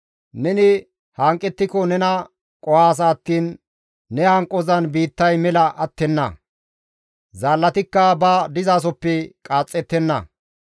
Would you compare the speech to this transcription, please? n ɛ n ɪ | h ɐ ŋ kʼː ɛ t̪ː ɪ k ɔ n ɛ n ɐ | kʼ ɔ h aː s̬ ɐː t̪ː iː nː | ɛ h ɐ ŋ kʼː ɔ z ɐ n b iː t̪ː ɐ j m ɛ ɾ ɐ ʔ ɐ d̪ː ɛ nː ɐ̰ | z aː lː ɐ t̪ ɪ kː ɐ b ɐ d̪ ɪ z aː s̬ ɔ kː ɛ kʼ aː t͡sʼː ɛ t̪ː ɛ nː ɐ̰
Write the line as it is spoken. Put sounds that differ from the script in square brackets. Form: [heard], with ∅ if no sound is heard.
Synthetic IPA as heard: n ɛ n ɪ | h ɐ ŋ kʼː ɛ t̪ː ɪ k ɔ n ɛ n ɐ | kʼ ɔ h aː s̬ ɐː t̪ː iː nː | ɛ h ɐ ŋ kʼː ɔ z ɐ n b iː t̪ː ɐ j m ɛ [l] ɐ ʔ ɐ [t̪ː] ɛ nː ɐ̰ | z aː lː ɐ t̪ ɪ kː ɐ b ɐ d̪ ɪ z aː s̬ ɔ [pː] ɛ kʼ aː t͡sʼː ɛ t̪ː ɛ nː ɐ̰